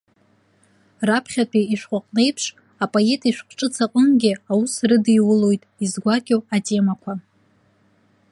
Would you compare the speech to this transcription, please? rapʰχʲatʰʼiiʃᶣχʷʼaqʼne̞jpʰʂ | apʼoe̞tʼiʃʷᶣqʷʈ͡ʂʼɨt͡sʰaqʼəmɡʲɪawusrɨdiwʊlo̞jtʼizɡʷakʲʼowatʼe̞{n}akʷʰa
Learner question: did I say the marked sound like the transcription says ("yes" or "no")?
no